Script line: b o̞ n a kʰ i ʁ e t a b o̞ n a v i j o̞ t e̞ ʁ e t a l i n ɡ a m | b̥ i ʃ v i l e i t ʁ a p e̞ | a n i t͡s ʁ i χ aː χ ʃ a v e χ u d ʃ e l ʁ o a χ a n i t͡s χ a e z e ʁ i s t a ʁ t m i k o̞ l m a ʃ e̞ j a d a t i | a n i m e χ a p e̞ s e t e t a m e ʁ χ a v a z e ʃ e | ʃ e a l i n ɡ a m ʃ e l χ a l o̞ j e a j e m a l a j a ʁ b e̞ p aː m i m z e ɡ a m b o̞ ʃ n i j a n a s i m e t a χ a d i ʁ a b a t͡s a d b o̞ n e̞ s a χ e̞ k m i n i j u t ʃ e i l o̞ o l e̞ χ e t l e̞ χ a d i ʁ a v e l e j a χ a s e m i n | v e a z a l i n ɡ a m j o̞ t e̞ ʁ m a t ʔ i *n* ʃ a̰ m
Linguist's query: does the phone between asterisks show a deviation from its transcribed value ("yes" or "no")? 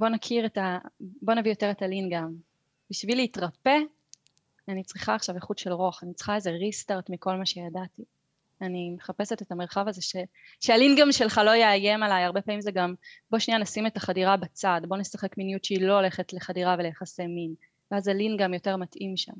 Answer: yes